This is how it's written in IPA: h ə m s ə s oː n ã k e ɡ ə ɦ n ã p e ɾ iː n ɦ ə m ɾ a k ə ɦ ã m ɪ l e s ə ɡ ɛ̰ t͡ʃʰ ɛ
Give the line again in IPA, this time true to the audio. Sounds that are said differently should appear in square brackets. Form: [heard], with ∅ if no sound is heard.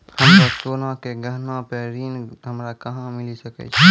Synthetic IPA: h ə m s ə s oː n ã k e ɡ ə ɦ n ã p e ɾ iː n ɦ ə m ɾ a k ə ɦ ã m ɪ l [i] s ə [k] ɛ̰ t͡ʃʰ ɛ